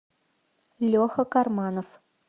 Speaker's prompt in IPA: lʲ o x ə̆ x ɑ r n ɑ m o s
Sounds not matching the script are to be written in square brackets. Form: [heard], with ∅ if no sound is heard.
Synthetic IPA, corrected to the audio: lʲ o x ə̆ [k] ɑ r [m] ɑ [n] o [f]